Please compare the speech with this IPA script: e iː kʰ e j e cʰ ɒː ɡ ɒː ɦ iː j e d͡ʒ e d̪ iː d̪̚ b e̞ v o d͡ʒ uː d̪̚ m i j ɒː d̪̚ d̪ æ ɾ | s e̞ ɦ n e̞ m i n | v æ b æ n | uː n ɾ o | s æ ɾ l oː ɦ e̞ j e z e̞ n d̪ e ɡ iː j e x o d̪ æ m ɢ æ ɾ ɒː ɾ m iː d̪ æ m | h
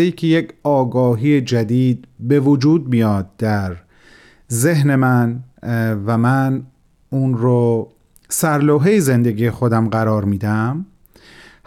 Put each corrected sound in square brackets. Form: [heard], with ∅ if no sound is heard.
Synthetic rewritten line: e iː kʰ e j e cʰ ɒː ɡ ɒː ɦ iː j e d͡ʒ [æ] d̪ iː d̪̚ b e̞ v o d͡ʒ uː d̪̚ m i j ɒː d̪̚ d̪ æ ɾ | [z] e̞ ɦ n e̞ m [æ] n | v æ [m] æ n | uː n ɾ o | s æ ɾ l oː ɦ e̞ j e z e̞ n d̪ e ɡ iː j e x o d̪ æ m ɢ æ ɾ ɒː ɾ m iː d̪ æ m | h